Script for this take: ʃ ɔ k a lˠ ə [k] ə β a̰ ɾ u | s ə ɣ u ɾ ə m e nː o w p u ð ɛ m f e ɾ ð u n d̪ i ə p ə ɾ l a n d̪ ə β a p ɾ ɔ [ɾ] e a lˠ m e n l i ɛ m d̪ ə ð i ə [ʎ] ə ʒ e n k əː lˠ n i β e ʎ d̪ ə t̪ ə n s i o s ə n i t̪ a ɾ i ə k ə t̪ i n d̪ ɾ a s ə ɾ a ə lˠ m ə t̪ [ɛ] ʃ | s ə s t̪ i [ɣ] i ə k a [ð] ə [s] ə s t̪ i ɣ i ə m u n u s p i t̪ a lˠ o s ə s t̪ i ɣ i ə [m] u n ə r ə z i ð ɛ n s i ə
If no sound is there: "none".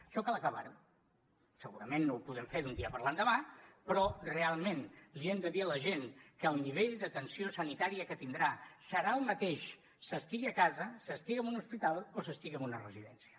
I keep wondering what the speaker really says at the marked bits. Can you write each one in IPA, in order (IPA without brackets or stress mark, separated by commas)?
k, r, l, e, ɣ, z, s, m